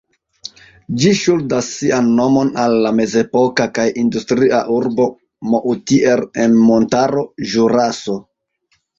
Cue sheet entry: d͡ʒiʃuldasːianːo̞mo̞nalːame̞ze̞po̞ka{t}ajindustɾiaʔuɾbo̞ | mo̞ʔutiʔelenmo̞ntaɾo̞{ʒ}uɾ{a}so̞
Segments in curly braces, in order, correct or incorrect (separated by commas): incorrect, correct, correct